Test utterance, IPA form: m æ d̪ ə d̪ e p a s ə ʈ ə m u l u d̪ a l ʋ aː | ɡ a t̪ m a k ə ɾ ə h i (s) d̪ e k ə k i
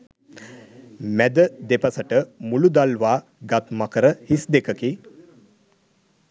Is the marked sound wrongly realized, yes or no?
no